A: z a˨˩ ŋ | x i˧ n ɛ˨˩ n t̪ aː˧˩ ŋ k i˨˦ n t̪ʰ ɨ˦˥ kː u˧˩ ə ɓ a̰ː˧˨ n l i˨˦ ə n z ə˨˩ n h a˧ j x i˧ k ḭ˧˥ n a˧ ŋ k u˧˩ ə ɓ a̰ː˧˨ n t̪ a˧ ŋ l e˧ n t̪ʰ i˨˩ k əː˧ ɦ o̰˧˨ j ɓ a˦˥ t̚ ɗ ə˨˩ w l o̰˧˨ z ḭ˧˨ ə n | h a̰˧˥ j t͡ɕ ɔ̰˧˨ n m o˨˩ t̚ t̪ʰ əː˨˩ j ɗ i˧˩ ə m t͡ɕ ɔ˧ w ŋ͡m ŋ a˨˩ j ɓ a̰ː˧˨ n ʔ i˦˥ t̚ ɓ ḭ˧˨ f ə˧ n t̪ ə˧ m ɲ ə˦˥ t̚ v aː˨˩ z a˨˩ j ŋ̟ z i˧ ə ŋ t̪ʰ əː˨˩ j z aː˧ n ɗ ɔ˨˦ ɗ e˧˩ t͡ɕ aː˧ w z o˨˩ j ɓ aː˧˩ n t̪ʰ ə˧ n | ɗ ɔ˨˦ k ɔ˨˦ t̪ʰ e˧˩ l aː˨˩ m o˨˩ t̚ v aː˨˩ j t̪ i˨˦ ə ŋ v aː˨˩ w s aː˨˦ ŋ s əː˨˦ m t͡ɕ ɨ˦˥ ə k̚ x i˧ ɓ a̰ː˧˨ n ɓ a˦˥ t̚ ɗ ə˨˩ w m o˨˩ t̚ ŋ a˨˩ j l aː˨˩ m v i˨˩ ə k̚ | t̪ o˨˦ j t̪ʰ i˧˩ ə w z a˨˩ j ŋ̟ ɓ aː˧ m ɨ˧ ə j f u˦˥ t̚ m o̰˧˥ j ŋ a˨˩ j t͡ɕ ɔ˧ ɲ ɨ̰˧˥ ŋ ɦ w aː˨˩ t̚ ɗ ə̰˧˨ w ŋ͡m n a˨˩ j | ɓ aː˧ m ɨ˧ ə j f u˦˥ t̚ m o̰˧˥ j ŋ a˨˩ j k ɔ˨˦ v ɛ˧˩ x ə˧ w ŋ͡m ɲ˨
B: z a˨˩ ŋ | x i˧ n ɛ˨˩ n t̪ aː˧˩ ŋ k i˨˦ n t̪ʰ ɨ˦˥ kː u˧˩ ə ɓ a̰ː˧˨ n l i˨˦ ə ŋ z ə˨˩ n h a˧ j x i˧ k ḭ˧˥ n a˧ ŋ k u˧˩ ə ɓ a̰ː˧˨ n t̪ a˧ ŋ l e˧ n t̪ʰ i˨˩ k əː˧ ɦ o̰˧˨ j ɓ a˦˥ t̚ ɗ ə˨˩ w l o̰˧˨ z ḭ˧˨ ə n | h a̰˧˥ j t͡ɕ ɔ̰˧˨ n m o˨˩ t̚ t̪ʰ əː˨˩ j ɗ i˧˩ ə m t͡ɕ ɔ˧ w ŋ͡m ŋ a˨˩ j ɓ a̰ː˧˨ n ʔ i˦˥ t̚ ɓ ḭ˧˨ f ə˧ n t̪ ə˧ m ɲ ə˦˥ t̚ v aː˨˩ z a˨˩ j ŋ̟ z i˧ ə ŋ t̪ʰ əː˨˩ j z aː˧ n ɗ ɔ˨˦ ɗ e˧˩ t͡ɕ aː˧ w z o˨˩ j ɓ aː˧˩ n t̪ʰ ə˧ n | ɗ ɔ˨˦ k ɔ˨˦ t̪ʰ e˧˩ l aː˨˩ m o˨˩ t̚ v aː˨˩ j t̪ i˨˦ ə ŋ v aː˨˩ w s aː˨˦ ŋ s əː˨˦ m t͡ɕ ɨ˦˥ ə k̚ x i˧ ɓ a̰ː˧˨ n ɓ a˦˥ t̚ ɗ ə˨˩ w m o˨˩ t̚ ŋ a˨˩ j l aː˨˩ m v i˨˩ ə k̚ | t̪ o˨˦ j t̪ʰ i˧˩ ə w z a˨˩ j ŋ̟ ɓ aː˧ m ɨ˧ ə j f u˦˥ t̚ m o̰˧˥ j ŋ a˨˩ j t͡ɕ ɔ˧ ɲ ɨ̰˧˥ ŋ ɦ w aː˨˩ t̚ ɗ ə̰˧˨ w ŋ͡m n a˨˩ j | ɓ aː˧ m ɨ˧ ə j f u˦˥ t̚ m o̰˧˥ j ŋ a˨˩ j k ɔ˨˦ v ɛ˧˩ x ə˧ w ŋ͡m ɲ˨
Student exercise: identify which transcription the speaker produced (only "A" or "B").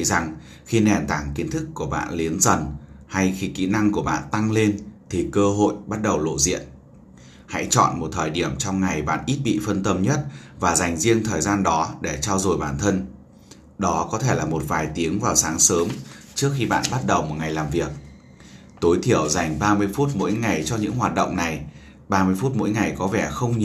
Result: A